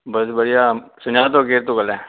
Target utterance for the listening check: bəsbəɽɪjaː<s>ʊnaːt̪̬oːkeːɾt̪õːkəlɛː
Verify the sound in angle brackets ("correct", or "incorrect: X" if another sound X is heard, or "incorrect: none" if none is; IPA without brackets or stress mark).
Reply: correct